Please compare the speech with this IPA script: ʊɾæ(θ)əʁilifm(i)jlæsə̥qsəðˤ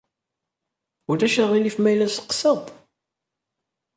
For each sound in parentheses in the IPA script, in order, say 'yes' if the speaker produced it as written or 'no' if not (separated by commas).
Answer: no, no